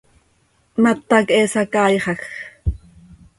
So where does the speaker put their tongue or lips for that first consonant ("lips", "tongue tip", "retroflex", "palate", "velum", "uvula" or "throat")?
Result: lips